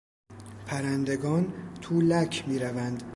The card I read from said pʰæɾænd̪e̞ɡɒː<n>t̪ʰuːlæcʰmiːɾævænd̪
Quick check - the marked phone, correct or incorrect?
correct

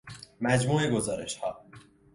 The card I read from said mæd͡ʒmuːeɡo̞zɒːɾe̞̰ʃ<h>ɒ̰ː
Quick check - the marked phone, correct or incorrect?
correct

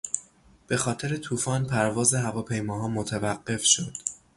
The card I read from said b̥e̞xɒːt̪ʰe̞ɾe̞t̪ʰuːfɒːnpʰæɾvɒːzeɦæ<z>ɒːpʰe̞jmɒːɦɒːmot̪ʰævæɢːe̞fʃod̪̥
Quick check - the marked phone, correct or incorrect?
incorrect: v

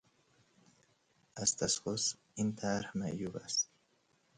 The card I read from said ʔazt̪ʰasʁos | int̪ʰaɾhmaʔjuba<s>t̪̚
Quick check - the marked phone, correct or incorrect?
correct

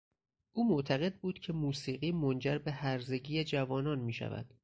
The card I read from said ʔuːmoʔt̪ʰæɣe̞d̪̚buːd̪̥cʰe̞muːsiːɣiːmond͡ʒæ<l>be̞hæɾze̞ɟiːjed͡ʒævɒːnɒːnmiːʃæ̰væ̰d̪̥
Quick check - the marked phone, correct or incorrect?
incorrect: ɾ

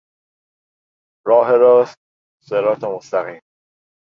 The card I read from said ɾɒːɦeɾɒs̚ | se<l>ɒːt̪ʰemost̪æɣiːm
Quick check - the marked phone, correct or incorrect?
incorrect: ɾ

